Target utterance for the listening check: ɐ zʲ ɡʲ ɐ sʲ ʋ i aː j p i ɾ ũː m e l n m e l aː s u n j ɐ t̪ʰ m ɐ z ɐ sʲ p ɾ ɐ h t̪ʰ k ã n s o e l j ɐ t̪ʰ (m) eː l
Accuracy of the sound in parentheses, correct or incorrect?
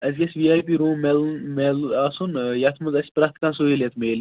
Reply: correct